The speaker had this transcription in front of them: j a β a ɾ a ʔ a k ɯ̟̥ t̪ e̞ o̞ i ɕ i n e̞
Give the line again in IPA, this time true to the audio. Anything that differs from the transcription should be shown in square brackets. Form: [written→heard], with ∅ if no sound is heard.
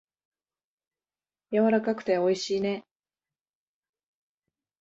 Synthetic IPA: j a β a ɾ a [ʔ→k] a k ɯ̟̥ t̪ e̞ o̞ i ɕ [i→iː] n e̞